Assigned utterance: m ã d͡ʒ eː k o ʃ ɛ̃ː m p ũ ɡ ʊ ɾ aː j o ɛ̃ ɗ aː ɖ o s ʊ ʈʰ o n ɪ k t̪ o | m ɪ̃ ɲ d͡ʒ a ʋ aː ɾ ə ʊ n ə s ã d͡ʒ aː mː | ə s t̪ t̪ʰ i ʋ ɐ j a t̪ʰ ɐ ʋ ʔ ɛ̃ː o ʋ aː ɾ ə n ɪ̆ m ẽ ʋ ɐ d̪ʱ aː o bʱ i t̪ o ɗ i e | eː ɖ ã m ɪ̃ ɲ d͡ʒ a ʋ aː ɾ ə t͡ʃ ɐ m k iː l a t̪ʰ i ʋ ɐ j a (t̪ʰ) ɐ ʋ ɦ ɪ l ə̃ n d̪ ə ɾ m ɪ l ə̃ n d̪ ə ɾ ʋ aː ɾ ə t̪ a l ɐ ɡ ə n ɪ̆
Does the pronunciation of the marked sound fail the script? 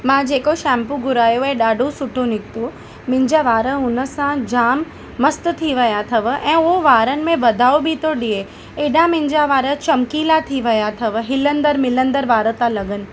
no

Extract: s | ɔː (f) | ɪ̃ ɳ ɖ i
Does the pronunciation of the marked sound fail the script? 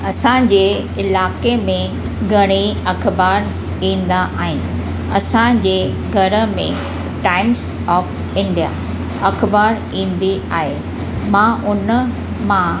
no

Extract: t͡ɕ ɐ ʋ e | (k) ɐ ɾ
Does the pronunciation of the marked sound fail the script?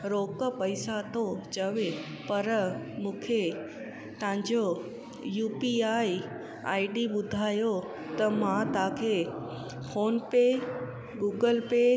yes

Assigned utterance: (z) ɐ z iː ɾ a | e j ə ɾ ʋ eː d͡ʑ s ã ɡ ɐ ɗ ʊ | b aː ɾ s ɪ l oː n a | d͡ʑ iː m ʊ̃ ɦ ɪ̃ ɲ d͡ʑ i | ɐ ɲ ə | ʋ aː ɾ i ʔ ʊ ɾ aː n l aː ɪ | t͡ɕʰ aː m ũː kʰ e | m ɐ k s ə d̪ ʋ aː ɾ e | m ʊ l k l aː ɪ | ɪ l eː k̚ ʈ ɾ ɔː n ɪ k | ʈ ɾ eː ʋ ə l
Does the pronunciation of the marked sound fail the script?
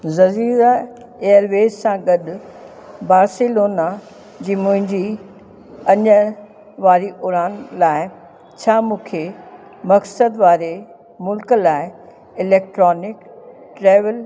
no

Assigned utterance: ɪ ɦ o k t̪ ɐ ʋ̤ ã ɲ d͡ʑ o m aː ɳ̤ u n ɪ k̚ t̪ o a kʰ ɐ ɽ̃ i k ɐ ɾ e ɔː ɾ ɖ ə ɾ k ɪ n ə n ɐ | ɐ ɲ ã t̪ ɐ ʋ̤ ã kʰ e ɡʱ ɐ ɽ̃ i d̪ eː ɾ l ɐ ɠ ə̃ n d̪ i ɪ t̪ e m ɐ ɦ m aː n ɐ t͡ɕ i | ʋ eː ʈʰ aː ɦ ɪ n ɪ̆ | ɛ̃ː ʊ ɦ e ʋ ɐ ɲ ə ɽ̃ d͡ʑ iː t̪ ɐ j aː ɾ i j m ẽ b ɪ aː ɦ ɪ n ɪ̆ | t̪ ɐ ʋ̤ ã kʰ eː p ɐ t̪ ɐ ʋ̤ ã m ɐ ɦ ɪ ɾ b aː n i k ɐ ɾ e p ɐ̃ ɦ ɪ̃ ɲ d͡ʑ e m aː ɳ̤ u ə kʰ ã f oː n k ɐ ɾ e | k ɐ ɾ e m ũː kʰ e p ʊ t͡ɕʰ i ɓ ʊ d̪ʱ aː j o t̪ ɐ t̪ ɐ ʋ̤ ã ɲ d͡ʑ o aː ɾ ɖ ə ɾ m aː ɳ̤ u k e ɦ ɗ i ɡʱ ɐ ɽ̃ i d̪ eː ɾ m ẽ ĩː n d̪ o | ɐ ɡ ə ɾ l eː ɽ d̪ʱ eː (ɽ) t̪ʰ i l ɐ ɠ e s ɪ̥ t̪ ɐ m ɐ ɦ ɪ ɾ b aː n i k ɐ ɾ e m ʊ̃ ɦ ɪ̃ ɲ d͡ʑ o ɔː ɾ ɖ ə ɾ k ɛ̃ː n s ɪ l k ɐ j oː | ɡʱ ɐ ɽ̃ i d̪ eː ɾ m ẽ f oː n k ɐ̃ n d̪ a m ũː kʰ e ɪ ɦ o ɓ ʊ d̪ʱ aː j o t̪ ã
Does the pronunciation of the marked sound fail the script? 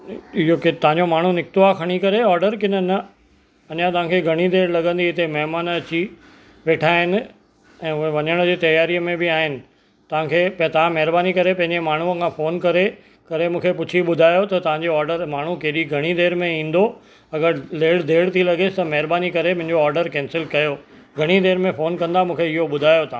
no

